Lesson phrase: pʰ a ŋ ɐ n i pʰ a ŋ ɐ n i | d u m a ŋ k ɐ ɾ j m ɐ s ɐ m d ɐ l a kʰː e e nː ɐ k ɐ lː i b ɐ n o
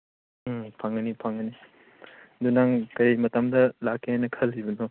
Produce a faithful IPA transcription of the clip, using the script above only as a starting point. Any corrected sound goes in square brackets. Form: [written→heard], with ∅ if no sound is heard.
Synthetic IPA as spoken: pʰ a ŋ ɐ n i pʰ a ŋ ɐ n i | d u [m→n] a ŋ k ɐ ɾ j m ɐ [s→t] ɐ m d ɐ l a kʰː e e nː ɐ [k→kʰ] ɐ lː i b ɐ n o